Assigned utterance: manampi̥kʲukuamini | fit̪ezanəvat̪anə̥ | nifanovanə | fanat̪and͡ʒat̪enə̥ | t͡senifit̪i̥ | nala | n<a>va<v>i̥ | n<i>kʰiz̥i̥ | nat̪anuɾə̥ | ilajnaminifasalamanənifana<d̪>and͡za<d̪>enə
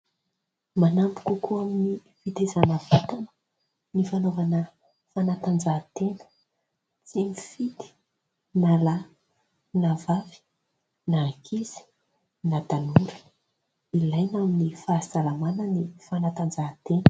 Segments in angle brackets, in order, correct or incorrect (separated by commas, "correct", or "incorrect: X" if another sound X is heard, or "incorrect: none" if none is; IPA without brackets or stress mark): correct, correct, incorrect: a, incorrect: t̪, incorrect: t̪